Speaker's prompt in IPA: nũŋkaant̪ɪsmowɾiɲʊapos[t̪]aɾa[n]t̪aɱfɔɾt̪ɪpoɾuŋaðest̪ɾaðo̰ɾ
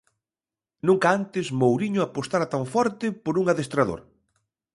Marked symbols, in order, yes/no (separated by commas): yes, no